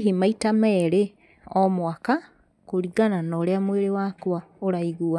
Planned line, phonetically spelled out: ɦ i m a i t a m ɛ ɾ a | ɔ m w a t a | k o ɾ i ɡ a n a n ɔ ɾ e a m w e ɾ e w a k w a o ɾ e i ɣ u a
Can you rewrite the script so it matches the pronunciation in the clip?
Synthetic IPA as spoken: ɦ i m a i t a m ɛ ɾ e | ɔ m w a k a | k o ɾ i ɡ a n a n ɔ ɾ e a m w e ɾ e w a k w a o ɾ a i ɣ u a